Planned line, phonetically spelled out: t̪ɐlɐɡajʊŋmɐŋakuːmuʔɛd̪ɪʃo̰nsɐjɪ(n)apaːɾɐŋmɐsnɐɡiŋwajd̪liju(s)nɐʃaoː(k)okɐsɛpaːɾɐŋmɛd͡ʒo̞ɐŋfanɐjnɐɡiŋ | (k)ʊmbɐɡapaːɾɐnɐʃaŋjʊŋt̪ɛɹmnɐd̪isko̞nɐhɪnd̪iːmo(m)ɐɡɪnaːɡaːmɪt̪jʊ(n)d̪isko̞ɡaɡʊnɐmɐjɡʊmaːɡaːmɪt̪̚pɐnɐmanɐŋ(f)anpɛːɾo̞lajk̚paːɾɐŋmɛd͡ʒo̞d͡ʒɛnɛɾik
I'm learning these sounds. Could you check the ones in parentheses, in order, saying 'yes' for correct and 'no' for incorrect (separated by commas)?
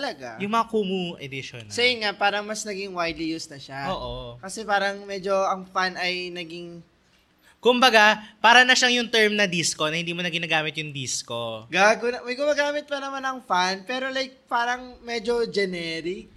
no, yes, no, yes, no, no, yes